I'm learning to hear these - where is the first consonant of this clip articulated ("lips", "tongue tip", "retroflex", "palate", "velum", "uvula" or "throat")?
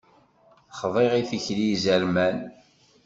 uvula